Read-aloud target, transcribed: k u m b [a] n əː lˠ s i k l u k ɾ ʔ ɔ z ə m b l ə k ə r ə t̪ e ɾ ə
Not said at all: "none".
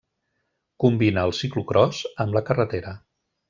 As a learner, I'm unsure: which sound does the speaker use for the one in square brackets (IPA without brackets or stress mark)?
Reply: i